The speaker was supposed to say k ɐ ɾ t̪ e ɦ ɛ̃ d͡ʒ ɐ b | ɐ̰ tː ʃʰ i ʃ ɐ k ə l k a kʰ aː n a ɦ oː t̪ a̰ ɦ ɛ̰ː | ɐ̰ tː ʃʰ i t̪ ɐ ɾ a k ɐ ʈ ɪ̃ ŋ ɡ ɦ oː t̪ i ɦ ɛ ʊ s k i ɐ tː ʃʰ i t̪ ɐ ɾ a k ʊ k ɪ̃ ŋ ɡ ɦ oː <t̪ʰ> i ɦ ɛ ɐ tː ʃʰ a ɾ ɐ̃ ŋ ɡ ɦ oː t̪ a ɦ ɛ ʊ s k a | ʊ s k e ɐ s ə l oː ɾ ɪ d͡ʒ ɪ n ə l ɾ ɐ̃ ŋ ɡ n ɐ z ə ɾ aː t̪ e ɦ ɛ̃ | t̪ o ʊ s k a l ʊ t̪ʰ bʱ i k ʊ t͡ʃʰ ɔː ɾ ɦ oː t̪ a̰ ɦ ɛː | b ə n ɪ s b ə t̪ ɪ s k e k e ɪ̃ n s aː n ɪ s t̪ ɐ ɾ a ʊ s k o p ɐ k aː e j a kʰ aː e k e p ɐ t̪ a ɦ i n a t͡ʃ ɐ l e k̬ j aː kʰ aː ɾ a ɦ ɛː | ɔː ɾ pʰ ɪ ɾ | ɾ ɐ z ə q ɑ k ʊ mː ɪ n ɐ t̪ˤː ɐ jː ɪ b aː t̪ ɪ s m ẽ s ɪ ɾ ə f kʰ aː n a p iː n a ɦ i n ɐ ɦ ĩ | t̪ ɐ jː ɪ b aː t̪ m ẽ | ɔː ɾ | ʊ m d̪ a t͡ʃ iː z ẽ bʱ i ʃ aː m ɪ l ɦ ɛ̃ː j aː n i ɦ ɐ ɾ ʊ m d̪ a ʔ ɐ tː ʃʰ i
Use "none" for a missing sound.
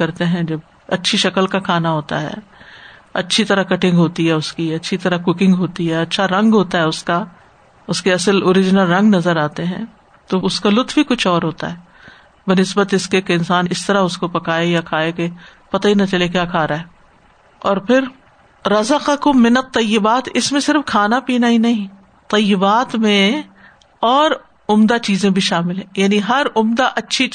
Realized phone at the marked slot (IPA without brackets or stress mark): t̪